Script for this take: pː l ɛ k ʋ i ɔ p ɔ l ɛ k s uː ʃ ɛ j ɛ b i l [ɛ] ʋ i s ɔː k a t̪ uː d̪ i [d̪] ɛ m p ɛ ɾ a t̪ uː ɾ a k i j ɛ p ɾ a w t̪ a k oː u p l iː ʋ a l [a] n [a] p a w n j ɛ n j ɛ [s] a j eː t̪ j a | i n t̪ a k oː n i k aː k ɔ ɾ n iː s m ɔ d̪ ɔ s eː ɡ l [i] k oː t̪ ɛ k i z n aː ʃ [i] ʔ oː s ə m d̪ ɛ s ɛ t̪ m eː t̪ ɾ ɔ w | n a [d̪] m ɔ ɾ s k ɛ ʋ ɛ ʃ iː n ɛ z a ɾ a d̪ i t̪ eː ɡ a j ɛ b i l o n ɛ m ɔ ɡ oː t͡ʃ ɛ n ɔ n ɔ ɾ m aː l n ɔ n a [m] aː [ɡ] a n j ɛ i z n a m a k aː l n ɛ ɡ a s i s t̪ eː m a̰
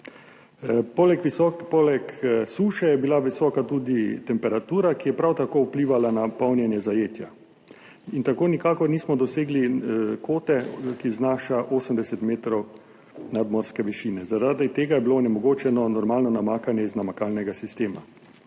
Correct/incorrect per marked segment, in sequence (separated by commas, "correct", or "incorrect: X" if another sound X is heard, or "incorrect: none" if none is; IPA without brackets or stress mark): incorrect: a, incorrect: t̪, correct, correct, incorrect: z, correct, incorrect: a, correct, correct, incorrect: k